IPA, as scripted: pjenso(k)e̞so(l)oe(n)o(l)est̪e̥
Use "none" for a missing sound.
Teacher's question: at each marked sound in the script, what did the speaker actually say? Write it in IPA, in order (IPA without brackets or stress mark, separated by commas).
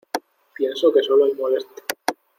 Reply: k, l, m, l